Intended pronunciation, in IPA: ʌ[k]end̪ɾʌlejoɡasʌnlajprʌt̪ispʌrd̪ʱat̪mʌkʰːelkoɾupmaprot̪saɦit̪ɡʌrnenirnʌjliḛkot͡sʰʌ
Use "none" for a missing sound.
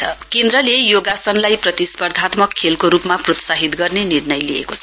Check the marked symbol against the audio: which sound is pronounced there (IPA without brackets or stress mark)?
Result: k